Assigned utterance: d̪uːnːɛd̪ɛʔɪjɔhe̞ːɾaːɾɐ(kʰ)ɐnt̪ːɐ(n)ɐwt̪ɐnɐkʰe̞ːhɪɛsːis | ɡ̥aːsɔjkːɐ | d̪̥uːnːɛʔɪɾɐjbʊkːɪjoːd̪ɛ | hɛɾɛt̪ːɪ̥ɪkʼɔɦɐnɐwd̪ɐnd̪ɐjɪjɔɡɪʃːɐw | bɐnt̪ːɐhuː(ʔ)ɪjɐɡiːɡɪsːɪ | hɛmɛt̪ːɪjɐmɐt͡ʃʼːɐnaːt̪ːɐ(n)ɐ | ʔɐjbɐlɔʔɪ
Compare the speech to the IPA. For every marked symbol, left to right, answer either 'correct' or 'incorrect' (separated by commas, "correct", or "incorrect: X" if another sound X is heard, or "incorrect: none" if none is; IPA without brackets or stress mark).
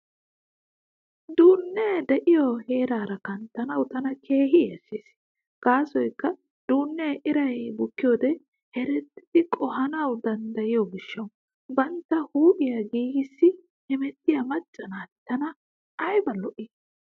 incorrect: k, correct, correct, correct